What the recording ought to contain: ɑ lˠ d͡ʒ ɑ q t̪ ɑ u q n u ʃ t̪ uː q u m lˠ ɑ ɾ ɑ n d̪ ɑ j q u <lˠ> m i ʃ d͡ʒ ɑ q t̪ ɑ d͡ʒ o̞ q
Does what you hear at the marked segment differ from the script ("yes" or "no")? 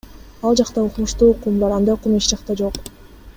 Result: yes